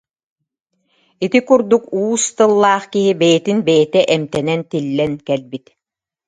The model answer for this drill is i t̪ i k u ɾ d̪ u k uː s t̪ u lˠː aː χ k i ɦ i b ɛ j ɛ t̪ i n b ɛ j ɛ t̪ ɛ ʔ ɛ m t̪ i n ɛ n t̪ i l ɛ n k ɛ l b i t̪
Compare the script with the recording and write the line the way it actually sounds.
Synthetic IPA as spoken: i t̪ i k u ɾ d̪ u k uː s t̪ ɯ lˠː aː χ k i ɦ i b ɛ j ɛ t̪ i n b ɛ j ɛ t̪ ɛ ʔ ɛ m t̪ ɛ n ɛ n t̪ i lː ɛ n k ɛ l b i t̪